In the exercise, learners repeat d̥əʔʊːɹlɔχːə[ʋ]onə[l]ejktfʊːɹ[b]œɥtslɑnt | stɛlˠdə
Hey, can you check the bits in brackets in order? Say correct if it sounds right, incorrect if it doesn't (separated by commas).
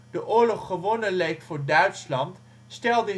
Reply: correct, correct, incorrect